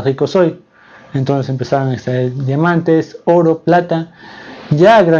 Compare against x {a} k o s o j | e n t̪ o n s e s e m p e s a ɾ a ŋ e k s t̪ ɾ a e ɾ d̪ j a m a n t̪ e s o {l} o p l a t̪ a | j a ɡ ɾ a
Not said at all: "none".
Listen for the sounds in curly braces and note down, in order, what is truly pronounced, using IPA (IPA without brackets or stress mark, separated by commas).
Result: i, ɾ